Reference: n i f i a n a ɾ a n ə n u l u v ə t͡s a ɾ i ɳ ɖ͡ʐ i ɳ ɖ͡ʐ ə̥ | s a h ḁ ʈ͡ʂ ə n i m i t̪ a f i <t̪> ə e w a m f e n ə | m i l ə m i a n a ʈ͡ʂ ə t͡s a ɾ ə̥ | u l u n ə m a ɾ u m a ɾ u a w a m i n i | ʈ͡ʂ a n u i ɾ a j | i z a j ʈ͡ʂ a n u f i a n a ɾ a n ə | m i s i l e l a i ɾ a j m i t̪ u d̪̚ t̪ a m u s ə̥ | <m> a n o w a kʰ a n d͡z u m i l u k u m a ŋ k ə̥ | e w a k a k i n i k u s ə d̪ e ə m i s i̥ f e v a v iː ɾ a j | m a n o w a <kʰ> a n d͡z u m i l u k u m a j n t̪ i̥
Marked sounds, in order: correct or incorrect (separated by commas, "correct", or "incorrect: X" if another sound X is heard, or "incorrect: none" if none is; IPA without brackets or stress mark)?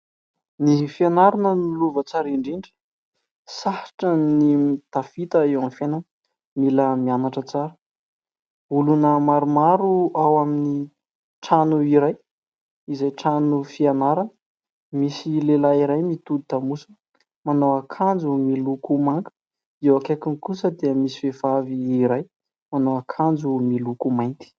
correct, correct, correct